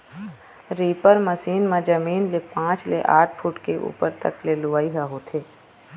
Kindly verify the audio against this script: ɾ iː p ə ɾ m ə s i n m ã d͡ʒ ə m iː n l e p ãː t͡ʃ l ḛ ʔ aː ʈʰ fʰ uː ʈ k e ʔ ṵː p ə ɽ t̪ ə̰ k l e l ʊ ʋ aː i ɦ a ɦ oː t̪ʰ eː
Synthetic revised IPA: ɾ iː p ə ɾ m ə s iː n m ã d͡ʒ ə m iː n l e p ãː t͡ʃ l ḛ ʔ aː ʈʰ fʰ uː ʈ k e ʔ ṵː p ə ɾ t̪ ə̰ k l e l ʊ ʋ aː i ɦ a ɦ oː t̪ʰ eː